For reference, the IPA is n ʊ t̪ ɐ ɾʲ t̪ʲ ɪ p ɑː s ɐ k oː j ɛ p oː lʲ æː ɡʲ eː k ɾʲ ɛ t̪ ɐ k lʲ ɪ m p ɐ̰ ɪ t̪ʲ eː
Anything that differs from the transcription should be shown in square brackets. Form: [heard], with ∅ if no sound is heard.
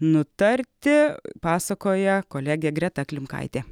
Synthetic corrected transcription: n ʊ t̪ ɐ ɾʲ t̪ʲ ɪ p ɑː s ɐ k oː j ɛ [k] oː lʲ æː ɡʲ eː [ɡ] ɾʲ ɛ t̪ ɐ k lʲ ɪ m [k] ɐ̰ ɪ t̪ʲ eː